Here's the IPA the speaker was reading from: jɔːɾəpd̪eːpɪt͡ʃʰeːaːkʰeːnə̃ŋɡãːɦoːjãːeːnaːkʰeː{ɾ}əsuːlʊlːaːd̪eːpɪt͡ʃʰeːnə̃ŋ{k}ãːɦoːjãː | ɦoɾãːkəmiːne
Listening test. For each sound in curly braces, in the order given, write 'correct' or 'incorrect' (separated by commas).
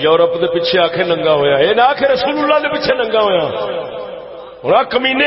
correct, incorrect